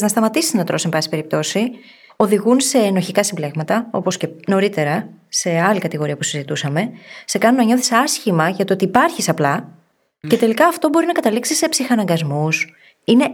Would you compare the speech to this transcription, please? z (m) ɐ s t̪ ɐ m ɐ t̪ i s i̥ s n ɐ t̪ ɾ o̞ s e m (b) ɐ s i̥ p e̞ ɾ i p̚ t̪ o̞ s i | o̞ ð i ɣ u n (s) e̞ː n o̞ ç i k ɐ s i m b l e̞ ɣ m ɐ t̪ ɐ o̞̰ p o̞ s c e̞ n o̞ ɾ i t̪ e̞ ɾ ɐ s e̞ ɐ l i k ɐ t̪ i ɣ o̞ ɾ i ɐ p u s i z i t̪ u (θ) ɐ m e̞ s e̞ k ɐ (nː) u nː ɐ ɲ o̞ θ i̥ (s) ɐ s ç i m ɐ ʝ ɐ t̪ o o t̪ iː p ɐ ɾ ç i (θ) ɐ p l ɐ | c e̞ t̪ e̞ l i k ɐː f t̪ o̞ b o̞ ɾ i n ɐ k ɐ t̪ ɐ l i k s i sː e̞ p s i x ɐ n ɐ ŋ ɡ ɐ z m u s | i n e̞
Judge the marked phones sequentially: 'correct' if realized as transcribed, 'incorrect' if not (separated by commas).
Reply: incorrect, correct, correct, incorrect, incorrect, correct, incorrect